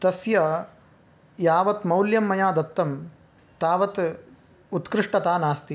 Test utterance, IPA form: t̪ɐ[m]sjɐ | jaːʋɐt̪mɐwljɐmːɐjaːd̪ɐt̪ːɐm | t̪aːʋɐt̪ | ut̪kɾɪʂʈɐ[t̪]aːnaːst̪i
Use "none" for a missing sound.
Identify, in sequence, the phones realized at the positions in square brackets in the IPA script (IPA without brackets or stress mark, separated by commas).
none, t̪